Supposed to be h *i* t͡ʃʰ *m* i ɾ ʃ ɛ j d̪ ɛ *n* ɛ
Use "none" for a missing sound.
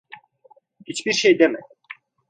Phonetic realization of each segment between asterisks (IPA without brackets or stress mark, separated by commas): i, b, m